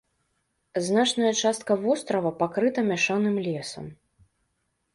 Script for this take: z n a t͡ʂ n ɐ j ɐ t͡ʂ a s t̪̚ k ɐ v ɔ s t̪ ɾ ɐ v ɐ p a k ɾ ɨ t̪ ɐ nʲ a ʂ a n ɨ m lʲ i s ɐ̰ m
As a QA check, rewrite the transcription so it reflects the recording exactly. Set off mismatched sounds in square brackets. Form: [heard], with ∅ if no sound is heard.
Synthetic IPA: z n a t͡ʂ n ɐ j ɐ t͡ʂ a s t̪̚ k ɐ v ɔ s t̪ ɾ ɐ v ɐ p a k ɾ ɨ t̪ ɐ [mʲ] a ʂ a n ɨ m lʲ [ɛ] s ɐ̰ m